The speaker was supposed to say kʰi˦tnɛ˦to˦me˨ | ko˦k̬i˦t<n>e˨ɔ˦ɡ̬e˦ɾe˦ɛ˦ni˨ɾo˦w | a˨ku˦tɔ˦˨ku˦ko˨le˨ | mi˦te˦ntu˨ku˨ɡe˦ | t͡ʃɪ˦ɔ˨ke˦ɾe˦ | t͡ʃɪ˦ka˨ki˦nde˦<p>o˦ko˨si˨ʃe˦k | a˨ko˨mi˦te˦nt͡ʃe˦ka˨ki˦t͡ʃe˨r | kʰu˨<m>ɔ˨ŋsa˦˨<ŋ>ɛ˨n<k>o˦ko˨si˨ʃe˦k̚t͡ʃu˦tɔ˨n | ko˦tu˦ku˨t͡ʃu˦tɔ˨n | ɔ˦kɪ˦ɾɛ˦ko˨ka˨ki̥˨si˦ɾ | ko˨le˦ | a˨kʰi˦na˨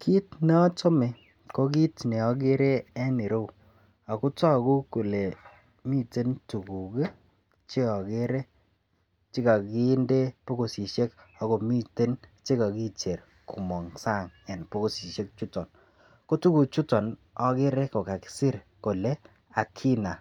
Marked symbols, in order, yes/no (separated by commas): yes, yes, yes, yes, no